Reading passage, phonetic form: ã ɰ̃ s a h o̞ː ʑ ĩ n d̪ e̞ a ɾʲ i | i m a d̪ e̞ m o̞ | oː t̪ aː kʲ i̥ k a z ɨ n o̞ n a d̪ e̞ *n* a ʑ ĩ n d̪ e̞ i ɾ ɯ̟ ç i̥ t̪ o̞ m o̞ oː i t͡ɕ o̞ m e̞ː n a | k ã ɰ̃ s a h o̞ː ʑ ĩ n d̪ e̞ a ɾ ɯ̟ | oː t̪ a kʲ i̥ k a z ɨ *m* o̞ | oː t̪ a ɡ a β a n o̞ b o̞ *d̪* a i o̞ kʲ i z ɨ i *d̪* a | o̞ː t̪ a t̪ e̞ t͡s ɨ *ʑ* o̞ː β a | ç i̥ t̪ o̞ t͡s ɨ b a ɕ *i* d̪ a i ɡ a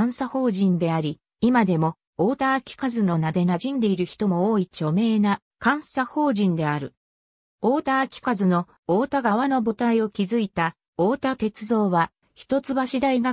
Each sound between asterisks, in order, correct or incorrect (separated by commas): correct, incorrect, incorrect, incorrect, incorrect, correct